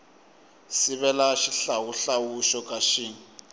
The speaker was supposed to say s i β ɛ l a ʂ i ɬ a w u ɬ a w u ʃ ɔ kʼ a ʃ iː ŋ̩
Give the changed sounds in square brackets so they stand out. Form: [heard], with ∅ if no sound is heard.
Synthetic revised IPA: s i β ɛ l a [ʃ] i ɬ a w u ɬ a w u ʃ ɔ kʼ a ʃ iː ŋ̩